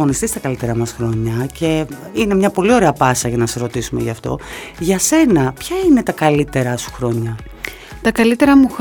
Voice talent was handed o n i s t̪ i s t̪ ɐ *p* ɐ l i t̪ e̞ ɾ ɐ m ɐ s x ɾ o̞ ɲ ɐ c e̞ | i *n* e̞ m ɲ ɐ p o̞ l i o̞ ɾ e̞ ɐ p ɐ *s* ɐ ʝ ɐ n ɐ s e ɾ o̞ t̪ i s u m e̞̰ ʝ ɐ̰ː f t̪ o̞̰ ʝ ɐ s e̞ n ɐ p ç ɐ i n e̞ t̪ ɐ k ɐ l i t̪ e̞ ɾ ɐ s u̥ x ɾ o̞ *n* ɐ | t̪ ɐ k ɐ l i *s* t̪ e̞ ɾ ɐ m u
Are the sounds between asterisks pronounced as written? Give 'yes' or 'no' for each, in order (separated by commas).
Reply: no, yes, yes, no, no